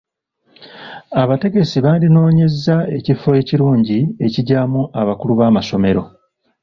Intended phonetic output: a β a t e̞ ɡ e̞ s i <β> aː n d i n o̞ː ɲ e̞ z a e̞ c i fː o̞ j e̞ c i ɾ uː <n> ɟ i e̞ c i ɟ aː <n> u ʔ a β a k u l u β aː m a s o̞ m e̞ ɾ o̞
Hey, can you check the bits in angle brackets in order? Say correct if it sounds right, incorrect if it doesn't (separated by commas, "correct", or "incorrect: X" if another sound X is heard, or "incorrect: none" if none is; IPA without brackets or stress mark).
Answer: correct, incorrect: ɲ, incorrect: m